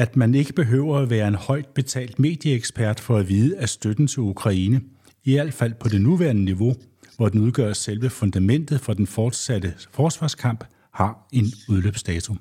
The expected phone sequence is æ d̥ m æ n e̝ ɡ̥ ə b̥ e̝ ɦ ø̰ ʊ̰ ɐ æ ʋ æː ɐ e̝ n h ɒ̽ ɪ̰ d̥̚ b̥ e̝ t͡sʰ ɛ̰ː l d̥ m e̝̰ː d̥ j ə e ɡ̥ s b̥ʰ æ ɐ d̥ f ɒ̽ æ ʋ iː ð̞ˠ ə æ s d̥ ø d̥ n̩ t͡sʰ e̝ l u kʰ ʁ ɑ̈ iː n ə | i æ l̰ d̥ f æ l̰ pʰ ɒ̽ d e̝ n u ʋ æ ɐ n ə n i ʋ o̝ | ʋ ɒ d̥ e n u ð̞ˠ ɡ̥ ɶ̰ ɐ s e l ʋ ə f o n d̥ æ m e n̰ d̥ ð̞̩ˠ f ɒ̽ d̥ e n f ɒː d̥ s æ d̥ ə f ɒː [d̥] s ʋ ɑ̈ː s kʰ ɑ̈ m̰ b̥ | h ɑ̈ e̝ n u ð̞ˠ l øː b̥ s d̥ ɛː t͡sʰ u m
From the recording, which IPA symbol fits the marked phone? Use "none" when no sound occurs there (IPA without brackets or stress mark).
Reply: d̥